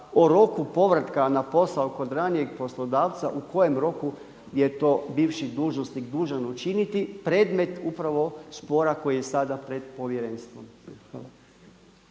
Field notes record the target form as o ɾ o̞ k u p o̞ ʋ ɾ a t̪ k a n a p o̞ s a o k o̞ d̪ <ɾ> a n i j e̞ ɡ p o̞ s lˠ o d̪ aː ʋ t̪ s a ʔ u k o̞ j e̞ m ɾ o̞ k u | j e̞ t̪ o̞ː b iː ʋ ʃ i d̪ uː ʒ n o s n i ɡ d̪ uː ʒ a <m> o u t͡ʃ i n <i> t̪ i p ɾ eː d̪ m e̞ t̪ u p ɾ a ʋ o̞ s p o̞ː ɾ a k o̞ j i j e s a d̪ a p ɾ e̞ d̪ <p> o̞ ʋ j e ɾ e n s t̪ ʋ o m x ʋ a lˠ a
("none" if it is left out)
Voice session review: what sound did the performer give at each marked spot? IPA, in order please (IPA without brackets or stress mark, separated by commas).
ɾ, n, i, p